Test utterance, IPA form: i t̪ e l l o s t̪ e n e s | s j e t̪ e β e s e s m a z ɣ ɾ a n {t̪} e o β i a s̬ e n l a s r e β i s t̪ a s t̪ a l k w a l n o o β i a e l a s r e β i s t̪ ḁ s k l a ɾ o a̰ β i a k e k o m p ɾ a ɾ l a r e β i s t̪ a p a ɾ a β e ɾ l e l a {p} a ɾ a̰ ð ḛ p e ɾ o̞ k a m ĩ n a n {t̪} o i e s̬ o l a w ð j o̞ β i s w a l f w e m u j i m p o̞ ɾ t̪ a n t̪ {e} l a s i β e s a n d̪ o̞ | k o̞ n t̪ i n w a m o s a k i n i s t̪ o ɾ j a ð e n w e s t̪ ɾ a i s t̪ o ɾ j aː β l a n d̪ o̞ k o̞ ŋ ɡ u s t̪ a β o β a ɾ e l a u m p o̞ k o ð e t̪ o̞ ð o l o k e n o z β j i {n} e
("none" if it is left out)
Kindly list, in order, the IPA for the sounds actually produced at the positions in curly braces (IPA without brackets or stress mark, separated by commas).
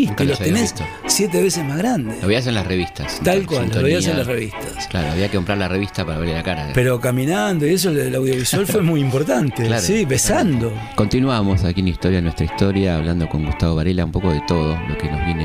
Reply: d̪, k, d̪, e, n